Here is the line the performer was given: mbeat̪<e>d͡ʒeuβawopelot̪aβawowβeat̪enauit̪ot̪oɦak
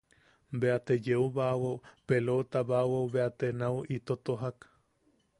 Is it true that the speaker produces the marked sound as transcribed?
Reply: yes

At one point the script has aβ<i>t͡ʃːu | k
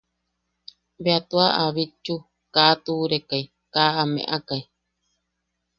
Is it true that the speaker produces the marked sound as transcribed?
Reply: yes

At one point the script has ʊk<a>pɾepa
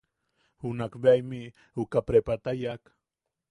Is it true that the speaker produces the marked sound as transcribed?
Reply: yes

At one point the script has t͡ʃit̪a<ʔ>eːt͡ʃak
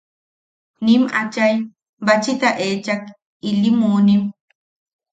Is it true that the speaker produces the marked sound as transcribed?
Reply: yes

